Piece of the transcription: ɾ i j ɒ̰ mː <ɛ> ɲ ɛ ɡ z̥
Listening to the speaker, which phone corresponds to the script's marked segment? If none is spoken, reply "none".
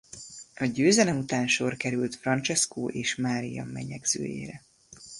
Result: ɛ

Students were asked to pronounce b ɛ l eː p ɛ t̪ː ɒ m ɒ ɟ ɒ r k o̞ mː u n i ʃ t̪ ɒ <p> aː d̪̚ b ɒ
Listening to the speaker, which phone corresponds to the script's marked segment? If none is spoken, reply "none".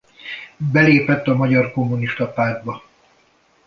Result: p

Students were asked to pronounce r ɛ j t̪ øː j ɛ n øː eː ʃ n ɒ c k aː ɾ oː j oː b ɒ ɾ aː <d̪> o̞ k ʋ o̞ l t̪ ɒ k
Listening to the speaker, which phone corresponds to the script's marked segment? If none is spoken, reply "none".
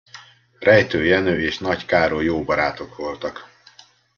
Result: t̪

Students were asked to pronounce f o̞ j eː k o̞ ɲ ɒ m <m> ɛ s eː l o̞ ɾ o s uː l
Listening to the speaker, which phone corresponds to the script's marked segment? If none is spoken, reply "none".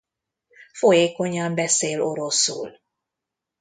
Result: b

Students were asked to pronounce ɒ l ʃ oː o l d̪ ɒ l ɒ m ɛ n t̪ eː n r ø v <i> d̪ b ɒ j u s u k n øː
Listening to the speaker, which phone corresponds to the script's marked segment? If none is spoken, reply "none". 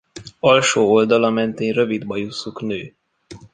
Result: i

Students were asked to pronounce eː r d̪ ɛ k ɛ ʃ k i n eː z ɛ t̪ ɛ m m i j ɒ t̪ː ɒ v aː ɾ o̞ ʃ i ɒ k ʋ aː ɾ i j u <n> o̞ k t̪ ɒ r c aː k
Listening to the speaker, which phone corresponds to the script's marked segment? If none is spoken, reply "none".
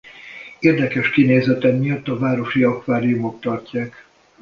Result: m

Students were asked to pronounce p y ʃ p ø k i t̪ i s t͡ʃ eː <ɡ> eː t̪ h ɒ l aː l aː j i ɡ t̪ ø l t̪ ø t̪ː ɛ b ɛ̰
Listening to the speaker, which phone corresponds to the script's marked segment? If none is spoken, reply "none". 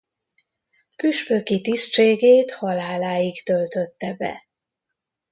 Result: ɡ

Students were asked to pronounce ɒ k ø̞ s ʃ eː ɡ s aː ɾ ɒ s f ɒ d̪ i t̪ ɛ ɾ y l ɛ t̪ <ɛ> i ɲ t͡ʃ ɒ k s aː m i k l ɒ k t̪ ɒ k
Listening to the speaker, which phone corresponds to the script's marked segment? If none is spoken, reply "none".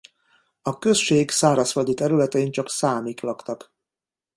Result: ɛ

